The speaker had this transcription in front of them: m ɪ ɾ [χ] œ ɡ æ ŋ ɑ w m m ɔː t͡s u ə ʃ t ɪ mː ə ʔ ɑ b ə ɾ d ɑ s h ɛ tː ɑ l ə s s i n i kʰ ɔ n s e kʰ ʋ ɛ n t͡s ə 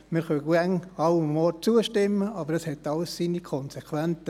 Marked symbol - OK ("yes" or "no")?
yes